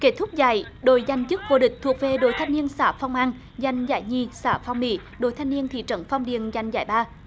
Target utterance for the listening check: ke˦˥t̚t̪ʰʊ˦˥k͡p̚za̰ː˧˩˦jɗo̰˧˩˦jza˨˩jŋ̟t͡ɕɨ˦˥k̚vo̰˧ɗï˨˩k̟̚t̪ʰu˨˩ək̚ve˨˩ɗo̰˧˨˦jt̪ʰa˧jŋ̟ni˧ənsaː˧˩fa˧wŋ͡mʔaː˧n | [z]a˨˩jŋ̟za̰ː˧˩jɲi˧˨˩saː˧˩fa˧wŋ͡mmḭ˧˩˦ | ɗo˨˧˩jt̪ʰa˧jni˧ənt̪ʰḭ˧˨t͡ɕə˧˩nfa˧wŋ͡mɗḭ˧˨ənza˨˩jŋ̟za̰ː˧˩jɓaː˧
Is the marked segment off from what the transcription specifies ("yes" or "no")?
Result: no